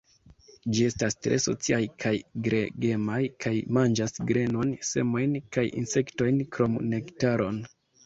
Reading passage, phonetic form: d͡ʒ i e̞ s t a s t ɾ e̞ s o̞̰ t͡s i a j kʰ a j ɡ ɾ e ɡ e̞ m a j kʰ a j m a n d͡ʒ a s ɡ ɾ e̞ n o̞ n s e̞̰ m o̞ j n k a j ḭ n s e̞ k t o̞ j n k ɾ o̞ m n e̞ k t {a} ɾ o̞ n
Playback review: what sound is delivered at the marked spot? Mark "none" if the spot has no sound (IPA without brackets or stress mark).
a